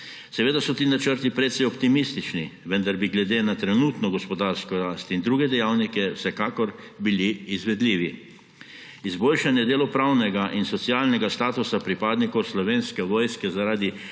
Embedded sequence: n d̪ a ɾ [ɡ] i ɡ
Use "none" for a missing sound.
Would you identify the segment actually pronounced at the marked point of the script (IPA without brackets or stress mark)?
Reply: b